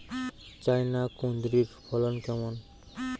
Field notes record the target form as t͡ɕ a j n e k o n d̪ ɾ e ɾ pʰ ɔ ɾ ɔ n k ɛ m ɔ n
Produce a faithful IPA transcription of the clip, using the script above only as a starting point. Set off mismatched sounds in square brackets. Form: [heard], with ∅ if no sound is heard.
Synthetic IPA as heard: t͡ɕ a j n [a] k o n d̪ ɾ [i] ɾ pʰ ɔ [l] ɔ n k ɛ m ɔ n